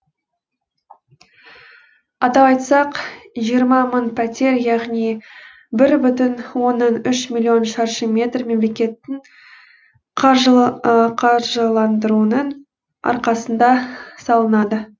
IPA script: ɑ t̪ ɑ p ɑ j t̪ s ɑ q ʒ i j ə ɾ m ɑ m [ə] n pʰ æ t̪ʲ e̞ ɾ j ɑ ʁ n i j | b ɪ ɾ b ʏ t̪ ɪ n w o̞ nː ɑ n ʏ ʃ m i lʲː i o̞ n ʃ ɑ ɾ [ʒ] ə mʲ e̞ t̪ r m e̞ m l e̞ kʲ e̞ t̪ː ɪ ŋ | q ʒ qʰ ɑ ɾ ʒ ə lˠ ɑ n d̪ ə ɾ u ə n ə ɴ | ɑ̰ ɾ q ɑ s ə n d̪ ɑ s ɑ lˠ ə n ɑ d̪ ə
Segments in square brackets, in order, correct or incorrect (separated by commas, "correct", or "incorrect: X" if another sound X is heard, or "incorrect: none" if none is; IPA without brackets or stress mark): correct, incorrect: ʃ